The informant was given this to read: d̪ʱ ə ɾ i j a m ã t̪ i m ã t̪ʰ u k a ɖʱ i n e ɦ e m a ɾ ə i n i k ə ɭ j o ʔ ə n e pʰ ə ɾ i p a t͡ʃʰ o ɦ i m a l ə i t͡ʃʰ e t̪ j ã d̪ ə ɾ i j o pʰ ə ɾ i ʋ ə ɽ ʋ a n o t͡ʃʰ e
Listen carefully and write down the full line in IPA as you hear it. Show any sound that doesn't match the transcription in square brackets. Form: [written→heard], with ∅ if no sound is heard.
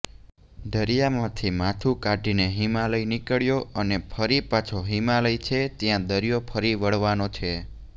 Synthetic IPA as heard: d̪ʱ ə ɾ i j a m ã [t̪→t̪ʰ] i m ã t̪ʰ u k a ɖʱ i n e ɦ [e→i] m a [ɾ→l] ə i n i k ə ɭ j o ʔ ə n e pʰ ə ɾ i p a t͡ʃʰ o ɦ i m a l ə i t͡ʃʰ e t̪ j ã d̪ ə ɾ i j o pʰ ə ɾ i ʋ ə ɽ ʋ a n o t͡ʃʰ e